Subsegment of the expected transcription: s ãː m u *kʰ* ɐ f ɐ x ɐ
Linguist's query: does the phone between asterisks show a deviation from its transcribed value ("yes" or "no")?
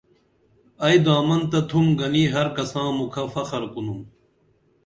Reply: no